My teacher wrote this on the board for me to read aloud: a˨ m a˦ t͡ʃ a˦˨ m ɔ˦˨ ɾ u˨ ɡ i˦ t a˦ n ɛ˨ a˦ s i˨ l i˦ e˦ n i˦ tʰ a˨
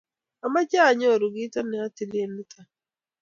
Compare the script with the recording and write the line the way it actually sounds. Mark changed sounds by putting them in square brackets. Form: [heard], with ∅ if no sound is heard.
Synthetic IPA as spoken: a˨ m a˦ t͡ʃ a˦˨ [ɲ] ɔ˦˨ ɾ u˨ ɡ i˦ t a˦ n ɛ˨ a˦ [t] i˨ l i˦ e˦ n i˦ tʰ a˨